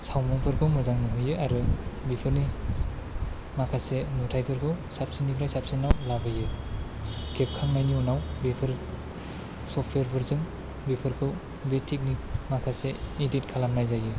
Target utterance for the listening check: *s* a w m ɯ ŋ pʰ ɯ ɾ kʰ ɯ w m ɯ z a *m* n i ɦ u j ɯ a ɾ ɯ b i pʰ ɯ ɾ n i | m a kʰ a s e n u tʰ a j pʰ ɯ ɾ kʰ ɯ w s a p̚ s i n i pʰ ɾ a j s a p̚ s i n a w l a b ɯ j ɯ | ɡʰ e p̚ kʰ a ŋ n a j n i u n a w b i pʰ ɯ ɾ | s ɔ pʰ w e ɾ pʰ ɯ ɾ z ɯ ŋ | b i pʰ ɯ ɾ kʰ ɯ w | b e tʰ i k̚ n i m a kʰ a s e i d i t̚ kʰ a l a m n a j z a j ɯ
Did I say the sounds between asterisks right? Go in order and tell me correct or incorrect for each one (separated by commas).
correct, incorrect